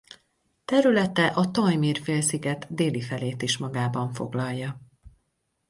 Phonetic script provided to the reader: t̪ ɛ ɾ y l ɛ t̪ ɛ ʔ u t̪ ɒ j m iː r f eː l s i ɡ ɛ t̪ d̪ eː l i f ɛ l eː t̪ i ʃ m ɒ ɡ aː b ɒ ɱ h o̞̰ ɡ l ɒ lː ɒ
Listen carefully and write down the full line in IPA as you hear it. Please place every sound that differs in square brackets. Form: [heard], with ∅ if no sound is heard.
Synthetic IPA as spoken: t̪ ɛ ɾ y l ɛ t̪ ɛ ʔ [ɒ] t̪ ɒ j m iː r f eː l s i ɡ ɛ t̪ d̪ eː l i f ɛ l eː t̪ i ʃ m ɒ ɡ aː b ɒ ɱ [f] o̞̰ ɡ l ɒ lː ɒ